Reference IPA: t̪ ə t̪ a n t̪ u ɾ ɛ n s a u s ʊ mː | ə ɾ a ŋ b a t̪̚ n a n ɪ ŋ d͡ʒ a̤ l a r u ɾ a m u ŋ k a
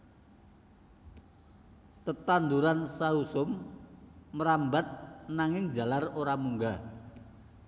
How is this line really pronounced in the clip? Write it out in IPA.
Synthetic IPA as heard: t̪ ə t̪ a n d̪ u ɾ a n s a u s ʊ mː | ə ɾ a m b a t̪̚ n a ŋ ɪ ŋ d͡ʒ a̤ l a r o ɾ a m u ŋ ɡ a